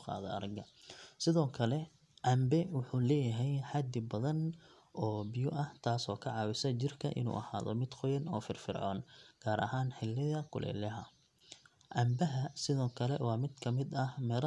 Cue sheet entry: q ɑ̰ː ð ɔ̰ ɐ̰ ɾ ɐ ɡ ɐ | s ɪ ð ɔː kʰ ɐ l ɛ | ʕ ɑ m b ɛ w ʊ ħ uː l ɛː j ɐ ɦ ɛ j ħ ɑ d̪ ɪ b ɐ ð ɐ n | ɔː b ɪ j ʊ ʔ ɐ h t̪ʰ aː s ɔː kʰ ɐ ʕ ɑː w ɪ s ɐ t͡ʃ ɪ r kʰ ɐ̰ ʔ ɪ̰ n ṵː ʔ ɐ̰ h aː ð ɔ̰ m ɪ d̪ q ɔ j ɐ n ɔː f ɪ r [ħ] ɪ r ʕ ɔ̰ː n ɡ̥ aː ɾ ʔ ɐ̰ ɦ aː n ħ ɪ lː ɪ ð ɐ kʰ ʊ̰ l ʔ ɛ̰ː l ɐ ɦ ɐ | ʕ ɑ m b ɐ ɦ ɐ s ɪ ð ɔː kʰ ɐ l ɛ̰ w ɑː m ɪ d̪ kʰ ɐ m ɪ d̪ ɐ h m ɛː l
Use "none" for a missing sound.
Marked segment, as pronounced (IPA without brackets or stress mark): f